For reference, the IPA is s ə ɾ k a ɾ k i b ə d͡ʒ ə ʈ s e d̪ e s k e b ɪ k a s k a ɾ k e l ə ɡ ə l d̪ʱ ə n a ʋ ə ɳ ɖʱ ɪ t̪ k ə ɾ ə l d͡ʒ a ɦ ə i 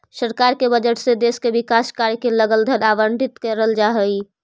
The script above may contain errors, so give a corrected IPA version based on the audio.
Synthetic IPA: s ə ɾ k a ɾ k e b ə d͡ʒ ə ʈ s e d̪ e s k e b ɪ k a s k a ɾ k e l ə ɡ ə l d̪ʱ ə n a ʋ ə ɳ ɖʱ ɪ t̪ k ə ɾ ə l d͡ʒ a ɦ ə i